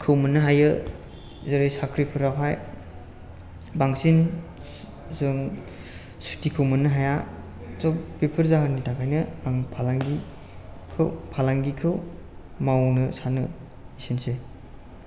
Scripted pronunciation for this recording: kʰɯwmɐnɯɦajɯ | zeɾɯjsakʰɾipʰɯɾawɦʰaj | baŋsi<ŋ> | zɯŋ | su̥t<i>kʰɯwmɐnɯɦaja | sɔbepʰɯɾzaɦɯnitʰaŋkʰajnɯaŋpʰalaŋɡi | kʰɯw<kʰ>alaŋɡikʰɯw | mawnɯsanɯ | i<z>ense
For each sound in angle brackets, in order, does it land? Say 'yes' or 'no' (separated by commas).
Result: no, yes, no, no